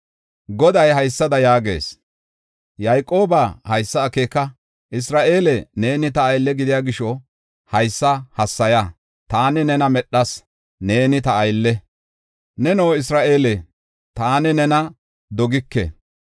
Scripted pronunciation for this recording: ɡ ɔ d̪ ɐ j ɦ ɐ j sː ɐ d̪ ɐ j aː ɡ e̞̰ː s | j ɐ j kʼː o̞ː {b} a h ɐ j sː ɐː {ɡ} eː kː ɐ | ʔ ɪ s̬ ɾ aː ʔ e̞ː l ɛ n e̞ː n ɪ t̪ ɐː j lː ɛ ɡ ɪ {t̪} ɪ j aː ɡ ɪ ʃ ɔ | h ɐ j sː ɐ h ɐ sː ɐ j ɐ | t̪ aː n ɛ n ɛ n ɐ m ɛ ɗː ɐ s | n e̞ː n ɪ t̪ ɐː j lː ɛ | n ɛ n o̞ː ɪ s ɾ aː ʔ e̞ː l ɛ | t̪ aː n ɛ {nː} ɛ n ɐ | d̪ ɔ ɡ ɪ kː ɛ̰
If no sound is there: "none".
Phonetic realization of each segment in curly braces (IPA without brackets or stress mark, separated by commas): b, k, d̪, n